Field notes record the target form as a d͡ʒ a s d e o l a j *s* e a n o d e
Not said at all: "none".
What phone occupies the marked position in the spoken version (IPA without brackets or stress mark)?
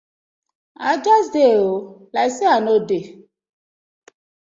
s